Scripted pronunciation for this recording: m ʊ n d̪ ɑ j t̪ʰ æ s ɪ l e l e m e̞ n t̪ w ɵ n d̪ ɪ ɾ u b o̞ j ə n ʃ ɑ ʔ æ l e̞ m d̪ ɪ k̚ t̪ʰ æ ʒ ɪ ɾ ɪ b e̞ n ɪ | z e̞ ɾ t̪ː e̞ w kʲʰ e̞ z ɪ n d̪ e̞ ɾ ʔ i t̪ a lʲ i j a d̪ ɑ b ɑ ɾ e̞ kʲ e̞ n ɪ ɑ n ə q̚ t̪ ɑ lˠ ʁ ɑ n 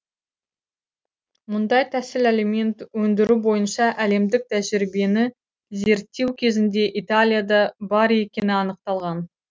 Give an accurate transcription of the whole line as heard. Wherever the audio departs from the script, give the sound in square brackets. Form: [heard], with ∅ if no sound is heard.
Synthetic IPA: m ʊ n d̪ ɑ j t̪ʰ æ s ɪ l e l e m e̞ n t̪ w ɵ n d̪ ɪ ɾ u b o̞ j ə n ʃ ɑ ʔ æ l e̞ m d̪ ɪ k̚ t̪ʰ æ ʒ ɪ ɾ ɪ b e̞ n ɪ | z e̞ ɾ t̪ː e̞ w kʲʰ e̞ z ɪ n d̪ e̞ [∅] ʔ i t̪ a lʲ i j a d̪ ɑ b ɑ ɾ e̞ kʲ e̞ n ɪ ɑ n ə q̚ t̪ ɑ lˠ ʁ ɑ n